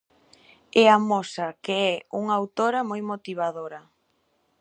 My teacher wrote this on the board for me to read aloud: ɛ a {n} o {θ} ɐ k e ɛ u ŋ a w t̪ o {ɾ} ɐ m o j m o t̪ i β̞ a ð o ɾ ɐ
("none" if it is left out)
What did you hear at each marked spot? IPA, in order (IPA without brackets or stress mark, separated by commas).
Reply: m, s, ɾ